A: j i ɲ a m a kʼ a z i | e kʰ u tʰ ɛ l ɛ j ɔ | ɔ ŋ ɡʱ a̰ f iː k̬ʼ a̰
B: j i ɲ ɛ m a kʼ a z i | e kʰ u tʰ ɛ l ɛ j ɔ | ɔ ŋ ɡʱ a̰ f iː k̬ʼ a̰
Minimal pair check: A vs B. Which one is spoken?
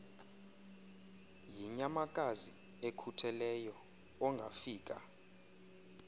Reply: A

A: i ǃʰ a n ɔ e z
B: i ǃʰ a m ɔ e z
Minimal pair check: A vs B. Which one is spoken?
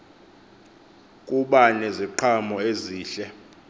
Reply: B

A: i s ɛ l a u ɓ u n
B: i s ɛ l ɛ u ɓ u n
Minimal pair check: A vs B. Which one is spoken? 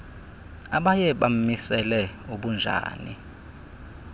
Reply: B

